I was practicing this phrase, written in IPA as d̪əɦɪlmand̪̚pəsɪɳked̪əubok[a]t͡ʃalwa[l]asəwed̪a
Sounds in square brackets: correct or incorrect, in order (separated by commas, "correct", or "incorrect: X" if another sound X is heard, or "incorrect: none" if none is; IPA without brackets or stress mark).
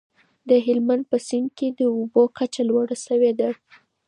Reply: correct, incorrect: ɽ